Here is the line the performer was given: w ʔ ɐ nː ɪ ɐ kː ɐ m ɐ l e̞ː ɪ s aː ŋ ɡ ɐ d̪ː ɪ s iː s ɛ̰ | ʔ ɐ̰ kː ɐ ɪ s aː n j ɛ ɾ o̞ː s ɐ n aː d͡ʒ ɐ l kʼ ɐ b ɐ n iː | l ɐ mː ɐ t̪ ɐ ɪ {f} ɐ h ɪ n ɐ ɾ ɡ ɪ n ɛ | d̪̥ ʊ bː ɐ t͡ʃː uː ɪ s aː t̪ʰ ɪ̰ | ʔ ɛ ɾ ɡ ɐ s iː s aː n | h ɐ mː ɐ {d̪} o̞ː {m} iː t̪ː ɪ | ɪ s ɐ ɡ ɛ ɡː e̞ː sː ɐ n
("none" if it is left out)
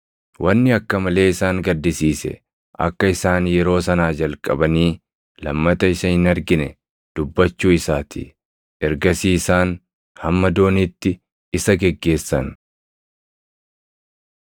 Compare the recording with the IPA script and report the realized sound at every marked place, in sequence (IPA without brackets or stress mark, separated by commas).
s, d̪, n